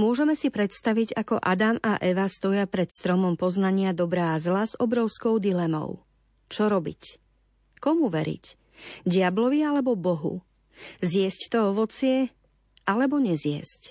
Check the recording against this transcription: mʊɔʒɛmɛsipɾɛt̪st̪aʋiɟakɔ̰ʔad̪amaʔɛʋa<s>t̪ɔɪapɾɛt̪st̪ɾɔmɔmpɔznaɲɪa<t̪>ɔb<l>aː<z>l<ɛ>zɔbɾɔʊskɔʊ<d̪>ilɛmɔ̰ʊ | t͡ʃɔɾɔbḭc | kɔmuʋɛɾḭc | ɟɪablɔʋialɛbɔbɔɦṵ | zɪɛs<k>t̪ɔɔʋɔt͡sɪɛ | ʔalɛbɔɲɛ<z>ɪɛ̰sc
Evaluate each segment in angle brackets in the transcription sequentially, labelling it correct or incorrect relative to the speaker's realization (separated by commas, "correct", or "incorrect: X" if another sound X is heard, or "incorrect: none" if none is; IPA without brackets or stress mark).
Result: correct, incorrect: d̪, incorrect: ɾ, correct, incorrect: a, correct, incorrect: c, correct